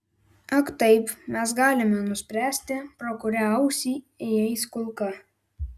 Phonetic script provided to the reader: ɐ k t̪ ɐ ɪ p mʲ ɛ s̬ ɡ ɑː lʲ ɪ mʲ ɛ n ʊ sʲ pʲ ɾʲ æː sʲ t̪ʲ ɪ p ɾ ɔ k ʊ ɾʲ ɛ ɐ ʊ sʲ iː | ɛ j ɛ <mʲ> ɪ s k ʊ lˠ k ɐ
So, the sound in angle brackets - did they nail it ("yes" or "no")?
no